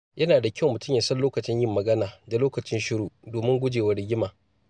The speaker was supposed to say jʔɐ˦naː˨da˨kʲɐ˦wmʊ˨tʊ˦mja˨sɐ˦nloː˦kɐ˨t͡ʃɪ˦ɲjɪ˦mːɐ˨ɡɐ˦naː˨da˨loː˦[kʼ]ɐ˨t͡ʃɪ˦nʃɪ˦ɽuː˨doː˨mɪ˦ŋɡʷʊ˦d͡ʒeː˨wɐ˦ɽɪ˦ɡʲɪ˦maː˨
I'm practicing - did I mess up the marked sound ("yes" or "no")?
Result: yes